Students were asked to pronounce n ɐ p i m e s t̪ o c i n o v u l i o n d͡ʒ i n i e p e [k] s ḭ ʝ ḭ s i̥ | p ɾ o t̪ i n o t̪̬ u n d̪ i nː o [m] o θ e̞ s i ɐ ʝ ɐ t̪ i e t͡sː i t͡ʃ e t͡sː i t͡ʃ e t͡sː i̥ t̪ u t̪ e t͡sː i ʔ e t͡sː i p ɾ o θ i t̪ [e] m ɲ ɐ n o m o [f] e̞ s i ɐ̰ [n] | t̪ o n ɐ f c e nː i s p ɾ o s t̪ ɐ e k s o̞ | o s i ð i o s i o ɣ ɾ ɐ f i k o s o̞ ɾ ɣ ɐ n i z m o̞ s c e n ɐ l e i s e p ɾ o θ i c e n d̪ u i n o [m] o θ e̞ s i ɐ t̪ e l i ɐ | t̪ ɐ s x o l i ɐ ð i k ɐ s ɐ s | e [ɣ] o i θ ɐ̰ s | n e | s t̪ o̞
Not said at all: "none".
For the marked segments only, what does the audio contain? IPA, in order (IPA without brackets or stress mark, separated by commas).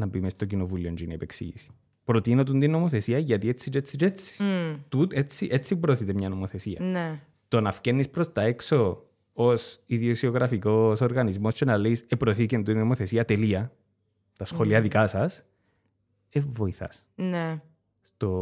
k, m, e, θ, n, m, v